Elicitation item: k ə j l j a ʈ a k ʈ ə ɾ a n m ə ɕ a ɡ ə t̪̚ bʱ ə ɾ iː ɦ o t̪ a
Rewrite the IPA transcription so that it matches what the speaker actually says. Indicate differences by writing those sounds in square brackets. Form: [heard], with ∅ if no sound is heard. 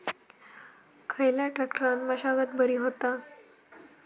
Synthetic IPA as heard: [kʰ] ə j l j a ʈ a k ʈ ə ɾ a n m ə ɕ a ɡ ə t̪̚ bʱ ə ɾ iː ɦ o t̪ a